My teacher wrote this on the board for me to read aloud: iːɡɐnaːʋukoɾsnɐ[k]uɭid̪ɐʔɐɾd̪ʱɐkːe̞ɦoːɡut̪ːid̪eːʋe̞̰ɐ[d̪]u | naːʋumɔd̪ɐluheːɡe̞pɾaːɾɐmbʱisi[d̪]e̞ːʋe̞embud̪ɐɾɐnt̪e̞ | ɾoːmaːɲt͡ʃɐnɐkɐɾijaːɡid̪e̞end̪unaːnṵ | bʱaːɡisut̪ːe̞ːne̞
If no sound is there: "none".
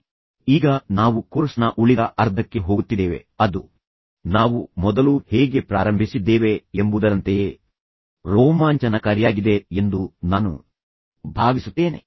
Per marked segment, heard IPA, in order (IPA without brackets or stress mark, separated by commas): ʔ, d̪, d̪ː